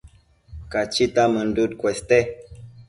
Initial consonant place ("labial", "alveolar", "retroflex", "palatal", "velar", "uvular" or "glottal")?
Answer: velar